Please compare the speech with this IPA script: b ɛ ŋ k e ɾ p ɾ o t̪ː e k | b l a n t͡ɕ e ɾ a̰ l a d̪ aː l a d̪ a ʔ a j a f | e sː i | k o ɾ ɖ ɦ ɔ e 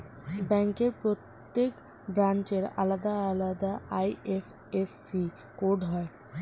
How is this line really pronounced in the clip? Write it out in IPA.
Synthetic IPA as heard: b ɛ ŋ k e ɾ p ɾ o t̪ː e k | b ɾ a n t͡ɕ e ɾ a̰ l a d̪ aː l a d̪ a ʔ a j e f | e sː i | k o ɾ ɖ ɦ ɔ e